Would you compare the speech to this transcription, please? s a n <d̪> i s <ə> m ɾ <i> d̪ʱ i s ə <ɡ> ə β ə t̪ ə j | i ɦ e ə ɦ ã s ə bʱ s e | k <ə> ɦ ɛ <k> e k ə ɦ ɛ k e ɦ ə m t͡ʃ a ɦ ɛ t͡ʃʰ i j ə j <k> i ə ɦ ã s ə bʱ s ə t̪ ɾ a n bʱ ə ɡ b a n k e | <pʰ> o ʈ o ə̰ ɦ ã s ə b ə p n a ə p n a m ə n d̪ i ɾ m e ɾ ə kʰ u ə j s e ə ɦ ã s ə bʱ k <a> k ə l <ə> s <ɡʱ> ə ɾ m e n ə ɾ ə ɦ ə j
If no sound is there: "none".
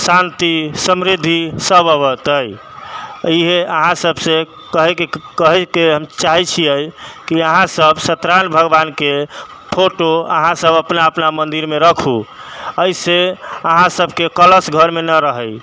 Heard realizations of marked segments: t̪, ə, i, b, ə, k, k, pʰ, e, ə, ɡʱ

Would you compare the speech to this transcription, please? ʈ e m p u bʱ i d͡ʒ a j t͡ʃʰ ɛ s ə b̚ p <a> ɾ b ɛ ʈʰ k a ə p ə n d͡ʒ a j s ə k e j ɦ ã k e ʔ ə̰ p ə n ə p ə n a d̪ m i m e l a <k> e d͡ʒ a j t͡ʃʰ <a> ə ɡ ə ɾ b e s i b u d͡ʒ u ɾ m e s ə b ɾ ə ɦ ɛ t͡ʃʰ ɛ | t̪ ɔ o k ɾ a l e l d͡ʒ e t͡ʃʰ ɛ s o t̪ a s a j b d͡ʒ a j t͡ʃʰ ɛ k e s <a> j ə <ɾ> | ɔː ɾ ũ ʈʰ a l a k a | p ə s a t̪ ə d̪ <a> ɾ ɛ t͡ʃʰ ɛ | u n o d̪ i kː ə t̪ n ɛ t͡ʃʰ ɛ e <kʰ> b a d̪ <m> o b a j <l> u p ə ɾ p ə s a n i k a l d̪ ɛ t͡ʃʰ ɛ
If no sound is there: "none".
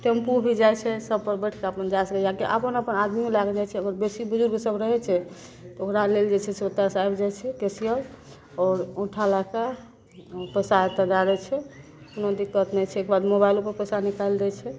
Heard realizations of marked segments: ə, ɡ, ɛ, i, l, a, k, m, l

